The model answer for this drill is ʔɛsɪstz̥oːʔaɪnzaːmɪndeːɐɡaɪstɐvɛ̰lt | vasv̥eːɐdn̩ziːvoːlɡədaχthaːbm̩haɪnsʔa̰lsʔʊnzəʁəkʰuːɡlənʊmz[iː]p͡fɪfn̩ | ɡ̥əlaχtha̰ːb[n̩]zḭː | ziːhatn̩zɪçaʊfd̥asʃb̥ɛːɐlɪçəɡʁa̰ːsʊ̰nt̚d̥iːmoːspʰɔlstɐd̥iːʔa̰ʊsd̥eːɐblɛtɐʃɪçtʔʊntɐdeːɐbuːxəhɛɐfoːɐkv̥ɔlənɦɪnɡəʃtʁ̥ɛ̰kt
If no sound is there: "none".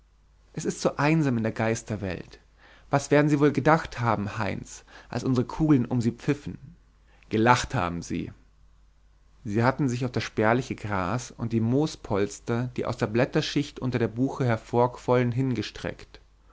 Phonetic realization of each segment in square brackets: iː, m̩

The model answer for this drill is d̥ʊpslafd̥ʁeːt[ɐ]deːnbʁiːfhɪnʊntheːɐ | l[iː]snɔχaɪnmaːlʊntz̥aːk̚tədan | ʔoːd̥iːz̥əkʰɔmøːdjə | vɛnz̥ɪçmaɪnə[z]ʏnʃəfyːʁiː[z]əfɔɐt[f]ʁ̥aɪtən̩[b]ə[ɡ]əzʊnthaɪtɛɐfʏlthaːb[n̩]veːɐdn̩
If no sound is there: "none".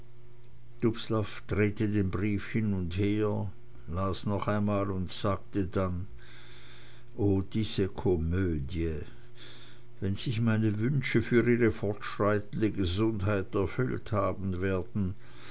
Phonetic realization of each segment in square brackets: ə, aː, v, ʁ, ʃ, d, ɡ, n̩

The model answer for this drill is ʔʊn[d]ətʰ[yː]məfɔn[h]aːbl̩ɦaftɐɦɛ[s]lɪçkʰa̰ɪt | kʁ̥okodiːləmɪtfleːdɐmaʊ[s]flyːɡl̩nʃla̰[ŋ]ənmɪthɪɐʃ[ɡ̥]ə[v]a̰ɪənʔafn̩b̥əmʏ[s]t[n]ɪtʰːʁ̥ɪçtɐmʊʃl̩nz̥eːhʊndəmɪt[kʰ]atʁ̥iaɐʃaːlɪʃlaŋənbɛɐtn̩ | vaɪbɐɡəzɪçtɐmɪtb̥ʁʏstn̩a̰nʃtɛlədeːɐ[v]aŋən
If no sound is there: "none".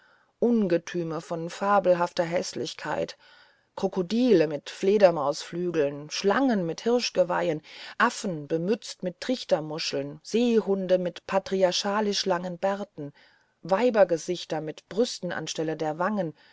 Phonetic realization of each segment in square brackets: ɡ, yː, f, s, s, ŋ, ɡ̥, v, t͡s, m, pʰ, v

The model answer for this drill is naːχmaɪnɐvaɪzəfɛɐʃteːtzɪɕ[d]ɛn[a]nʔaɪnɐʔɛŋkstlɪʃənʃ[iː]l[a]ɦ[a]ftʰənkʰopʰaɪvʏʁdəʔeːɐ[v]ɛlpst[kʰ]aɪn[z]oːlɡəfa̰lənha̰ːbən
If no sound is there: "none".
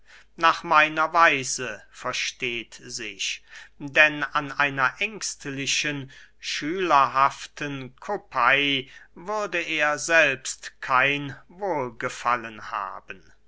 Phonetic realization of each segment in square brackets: d, a, yː, ɐ, a, z, kʰ, v

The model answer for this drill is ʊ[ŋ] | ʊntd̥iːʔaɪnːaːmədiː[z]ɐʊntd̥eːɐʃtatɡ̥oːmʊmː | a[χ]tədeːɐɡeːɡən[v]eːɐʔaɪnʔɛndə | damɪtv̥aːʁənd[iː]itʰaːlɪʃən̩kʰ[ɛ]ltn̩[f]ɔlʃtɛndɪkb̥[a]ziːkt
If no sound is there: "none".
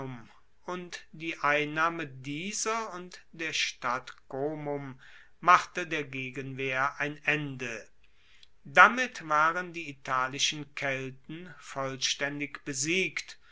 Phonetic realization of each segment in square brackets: m, z, χ, v, iː, ɛ, f, ə

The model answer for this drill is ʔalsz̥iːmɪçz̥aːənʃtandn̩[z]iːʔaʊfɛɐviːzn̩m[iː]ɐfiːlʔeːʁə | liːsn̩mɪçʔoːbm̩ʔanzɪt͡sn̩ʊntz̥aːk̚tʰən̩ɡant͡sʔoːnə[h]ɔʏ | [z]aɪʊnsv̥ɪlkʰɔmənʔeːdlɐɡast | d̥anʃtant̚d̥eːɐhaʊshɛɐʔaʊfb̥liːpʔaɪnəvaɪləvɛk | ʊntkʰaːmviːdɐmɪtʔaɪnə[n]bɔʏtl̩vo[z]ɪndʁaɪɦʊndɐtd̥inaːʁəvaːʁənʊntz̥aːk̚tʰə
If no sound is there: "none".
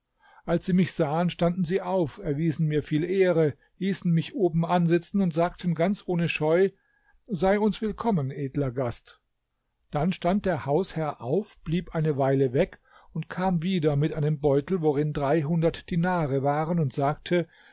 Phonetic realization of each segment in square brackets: z, iː, ʃ, z, m, ʁ

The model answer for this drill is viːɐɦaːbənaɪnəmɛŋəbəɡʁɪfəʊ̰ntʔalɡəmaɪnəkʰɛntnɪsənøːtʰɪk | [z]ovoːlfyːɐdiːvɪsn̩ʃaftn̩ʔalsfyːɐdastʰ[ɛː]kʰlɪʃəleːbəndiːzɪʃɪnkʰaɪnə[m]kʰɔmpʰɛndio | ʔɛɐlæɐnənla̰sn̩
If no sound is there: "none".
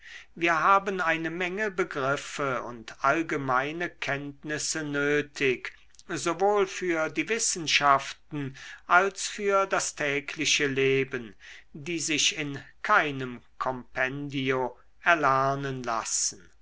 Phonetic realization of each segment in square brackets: z, ɛː, m

